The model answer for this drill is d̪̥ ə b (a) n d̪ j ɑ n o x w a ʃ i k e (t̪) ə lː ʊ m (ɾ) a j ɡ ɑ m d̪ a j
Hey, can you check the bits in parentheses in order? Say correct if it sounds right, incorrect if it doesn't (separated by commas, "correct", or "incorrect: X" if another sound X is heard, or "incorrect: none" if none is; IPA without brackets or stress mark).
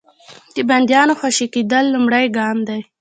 correct, incorrect: d̪, incorrect: ɽ